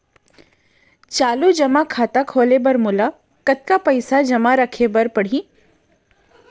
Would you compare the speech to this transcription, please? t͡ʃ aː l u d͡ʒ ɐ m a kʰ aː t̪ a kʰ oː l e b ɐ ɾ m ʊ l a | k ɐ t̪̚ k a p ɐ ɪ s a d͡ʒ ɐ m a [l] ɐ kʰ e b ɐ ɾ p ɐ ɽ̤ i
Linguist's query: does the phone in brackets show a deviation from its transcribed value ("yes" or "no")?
yes